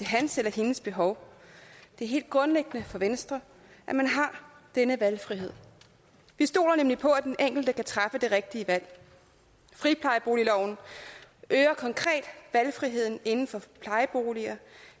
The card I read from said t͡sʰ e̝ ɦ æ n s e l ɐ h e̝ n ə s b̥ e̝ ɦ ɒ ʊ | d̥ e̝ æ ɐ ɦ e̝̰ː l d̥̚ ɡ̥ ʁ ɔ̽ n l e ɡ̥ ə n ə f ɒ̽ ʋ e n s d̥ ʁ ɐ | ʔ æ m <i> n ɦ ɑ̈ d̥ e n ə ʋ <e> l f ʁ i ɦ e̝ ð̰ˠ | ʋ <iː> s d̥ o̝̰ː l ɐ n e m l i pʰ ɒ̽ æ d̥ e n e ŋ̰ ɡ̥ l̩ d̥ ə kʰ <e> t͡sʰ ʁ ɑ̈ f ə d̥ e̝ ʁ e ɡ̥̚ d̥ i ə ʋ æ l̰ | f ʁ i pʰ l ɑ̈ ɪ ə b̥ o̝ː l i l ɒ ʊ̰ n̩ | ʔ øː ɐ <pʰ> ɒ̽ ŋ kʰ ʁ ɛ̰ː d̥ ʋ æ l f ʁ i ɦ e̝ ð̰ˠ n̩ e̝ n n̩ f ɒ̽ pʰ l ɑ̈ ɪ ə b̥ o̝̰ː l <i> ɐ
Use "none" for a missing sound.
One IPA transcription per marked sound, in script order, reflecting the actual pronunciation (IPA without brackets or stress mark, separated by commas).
æ, æ, i, æ, kʰ, i